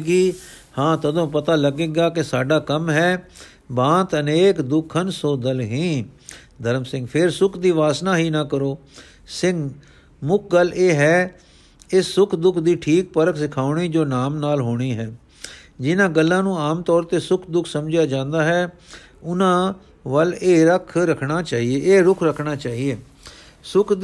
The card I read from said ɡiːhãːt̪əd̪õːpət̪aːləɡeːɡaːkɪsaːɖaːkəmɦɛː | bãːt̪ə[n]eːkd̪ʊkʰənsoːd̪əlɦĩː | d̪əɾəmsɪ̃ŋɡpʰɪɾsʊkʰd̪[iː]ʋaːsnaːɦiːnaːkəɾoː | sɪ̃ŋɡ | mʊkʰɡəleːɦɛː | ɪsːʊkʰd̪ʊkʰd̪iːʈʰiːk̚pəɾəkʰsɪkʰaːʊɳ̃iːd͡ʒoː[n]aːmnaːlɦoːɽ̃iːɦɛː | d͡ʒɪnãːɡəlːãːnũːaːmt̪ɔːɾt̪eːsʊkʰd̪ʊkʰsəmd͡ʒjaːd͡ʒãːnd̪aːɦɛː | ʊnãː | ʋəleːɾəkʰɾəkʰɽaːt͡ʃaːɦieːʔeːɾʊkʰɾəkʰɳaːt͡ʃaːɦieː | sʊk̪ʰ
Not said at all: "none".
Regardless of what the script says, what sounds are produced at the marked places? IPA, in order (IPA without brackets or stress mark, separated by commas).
n, iː, n